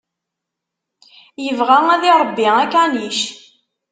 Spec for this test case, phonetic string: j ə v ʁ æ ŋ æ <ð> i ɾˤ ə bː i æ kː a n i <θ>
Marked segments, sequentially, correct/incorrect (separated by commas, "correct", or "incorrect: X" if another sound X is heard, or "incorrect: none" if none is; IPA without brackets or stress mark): correct, incorrect: ʃ